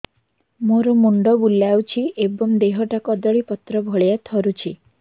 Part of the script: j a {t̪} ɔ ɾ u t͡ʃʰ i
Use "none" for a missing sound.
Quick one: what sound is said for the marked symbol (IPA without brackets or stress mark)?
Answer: t̪ʰ